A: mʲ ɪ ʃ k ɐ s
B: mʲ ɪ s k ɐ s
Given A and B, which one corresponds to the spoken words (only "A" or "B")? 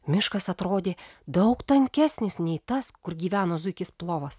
A